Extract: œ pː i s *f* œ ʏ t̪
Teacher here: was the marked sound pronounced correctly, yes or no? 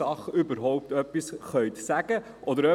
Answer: no